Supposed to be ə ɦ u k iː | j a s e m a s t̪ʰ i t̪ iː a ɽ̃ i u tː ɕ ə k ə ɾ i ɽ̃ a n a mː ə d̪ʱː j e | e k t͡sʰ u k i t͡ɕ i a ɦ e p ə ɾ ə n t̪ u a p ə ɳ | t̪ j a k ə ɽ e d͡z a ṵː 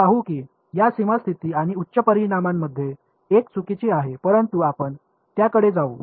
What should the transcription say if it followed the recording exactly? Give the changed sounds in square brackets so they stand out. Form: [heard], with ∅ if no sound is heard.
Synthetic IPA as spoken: [a] ɦ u k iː | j a s [i] m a s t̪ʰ i t̪ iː a ɽ̃ i u tː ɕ ə [p] ə ɾ i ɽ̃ a [m] a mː ə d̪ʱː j e | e k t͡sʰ u k i t͡ɕ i a ɦ e p ə ɾ ə n t̪ u a p ə ɳ | t̪ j a k ə ɽ e d͡z a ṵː